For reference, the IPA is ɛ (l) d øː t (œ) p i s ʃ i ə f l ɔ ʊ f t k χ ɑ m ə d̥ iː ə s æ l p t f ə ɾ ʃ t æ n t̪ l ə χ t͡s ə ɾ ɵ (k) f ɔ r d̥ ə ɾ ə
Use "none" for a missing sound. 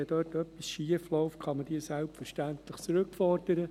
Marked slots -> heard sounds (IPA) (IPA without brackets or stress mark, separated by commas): none, œ, k